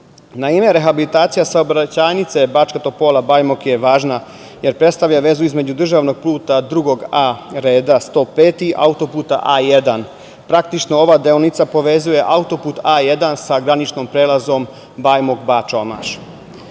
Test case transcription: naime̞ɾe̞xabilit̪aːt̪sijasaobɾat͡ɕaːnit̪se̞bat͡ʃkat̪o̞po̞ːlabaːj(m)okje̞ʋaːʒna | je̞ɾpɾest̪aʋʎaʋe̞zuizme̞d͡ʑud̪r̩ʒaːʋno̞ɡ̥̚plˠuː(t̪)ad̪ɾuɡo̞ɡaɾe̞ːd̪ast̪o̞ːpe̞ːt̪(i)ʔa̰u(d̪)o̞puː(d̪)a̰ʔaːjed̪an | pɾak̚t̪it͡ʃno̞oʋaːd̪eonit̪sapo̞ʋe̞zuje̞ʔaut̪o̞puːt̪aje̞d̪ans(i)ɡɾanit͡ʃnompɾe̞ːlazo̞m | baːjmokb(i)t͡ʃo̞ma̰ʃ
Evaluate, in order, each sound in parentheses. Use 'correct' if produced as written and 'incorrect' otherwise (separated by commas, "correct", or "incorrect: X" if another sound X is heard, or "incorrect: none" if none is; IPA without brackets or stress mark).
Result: correct, correct, correct, incorrect: t̪, incorrect: t̪, incorrect: a, incorrect: a